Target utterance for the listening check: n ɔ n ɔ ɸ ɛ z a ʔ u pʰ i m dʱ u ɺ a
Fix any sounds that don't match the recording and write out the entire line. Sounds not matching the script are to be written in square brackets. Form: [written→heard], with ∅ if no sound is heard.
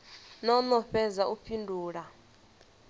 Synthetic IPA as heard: n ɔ n ɔ ɸ ɛ z a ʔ u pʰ i [m→n] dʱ [u→uː] ɺ a